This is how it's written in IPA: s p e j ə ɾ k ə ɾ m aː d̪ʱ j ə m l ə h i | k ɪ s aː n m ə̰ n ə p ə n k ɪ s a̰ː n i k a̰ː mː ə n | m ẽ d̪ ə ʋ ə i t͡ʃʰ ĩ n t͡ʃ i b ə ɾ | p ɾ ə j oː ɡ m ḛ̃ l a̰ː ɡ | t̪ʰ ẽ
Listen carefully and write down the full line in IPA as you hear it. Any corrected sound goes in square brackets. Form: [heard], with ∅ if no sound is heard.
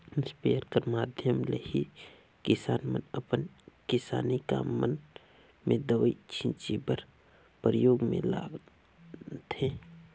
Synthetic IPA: s p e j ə ɾ k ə ɾ m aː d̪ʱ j ə m l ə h i | k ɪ s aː n m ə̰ n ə p ə n k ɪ s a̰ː n i k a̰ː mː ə n | m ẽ d̪ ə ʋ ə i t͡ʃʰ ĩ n t͡ʃ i b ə ɾ | p ɾ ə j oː ɡ m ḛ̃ l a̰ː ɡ | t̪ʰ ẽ